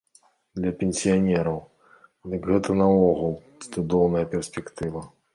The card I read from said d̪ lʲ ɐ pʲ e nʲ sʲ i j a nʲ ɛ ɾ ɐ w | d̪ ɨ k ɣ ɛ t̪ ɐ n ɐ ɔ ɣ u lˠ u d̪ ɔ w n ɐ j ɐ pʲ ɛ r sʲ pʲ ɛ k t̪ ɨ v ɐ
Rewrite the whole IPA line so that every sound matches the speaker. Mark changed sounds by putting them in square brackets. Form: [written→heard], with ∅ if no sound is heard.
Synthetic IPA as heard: d̪ lʲ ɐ pʲ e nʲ sʲ i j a nʲ ɛ ɾ ɐ w | d̪ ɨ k ɣ ɛ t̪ ɐ n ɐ ɔ ɣ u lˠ u d̪ ɔ w n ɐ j ɐ pʲ ɛ r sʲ pʲ ɛ k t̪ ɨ v ɐ